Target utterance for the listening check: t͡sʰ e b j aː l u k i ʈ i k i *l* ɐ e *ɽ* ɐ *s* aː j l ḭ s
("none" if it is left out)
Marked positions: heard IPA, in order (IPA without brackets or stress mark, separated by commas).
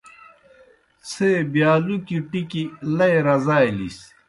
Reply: l, ɾ, z